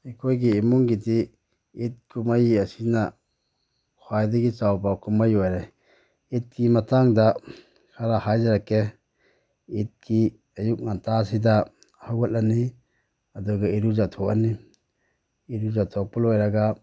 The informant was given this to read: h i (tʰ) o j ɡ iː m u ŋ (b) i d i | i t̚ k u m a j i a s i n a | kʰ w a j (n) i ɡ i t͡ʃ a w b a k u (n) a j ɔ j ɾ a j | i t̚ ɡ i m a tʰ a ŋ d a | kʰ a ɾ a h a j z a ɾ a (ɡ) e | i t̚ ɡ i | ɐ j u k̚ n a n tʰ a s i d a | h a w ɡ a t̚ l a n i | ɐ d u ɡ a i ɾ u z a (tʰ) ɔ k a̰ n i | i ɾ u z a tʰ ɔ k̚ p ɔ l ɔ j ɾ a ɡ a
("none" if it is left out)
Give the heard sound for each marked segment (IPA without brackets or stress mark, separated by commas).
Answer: kʰ, ɡ, d, m, k, tʰ